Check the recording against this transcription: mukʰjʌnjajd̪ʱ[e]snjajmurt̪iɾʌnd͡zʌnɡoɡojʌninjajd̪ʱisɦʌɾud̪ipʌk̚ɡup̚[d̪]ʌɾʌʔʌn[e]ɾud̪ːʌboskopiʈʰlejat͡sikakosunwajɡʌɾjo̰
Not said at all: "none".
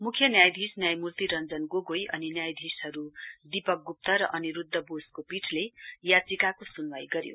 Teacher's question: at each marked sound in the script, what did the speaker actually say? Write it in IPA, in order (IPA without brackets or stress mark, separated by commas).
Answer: i, t̪, i